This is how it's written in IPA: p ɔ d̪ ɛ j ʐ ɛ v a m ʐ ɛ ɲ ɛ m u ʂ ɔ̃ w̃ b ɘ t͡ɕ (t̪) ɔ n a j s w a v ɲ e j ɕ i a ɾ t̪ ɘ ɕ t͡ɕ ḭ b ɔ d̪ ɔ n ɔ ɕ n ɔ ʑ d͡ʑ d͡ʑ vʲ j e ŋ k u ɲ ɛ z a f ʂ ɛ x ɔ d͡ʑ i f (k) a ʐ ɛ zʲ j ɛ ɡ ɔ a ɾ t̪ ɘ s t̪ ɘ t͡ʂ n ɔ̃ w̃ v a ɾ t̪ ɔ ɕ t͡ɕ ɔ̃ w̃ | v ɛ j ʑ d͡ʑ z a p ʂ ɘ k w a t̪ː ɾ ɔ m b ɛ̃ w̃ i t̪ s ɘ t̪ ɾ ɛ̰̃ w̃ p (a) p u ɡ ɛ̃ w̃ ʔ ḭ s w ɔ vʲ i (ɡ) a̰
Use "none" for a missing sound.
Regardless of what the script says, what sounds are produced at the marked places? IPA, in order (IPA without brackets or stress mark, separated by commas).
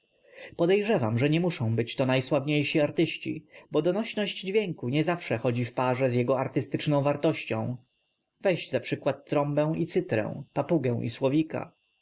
t̪, p, a, k